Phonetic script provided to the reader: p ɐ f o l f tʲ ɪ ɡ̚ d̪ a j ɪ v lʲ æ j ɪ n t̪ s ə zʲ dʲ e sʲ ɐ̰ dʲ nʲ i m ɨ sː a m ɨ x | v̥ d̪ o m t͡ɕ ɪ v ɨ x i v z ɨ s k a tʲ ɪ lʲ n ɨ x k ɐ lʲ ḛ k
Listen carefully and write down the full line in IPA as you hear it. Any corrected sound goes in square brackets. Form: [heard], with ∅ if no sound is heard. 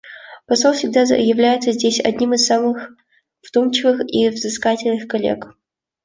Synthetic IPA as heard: p ɐ [s] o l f [sʲ] ɪ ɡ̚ d̪ a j ɪ v lʲ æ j ɪ [∅] t̪ s ə zʲ dʲ e sʲ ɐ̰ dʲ nʲ i m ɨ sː a m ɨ x | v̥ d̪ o m t͡ɕ ɪ v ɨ x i v z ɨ s k a tʲ ɪ lʲ n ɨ x k ɐ lʲ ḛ k